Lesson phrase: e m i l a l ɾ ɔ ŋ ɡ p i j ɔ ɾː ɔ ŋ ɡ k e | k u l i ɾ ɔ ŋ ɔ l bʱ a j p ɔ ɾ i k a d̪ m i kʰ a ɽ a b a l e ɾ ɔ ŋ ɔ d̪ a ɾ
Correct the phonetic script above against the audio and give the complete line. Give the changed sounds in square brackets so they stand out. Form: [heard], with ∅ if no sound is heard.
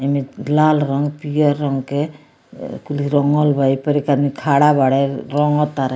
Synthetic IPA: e m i l a l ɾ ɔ ŋ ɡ p i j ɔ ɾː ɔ ŋ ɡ k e | k u l i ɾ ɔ ŋ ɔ l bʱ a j p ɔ ɾ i k a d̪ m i kʰ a ɽ a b a [ɽ] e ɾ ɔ ŋ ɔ [t̪] a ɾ